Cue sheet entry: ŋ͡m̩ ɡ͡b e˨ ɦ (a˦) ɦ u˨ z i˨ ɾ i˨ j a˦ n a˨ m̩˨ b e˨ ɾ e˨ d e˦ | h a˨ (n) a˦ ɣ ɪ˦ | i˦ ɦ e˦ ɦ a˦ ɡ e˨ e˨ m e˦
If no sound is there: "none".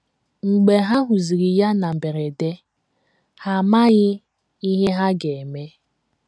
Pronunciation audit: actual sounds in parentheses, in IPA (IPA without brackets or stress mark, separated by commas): a˦, m